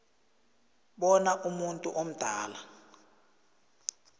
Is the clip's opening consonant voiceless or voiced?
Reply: voiced